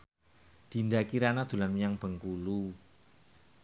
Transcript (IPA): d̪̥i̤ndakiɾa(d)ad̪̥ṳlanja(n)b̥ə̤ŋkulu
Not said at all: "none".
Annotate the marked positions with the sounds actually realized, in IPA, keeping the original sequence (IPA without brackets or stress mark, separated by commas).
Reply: n, ŋ